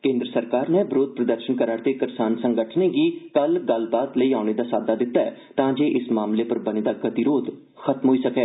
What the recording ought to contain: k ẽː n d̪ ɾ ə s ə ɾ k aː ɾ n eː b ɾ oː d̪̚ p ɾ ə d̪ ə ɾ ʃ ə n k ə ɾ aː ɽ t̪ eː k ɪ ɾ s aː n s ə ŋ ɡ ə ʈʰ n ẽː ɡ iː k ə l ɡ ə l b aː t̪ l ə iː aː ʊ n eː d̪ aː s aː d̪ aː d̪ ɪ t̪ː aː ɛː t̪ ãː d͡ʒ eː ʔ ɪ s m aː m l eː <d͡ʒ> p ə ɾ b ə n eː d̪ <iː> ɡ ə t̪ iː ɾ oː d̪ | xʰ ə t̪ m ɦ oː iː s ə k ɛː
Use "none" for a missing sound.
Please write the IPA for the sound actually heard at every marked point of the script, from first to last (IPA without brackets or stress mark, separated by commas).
none, aː